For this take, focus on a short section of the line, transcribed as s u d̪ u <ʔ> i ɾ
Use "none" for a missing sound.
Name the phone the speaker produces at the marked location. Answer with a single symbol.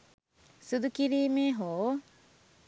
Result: k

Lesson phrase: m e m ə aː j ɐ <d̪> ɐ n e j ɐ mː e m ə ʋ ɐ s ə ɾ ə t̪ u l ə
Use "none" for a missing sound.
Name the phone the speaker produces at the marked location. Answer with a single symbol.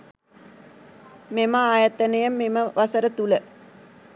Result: t̪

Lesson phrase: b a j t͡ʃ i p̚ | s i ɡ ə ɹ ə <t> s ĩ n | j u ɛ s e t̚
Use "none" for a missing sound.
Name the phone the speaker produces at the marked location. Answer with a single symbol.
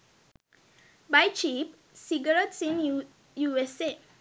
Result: t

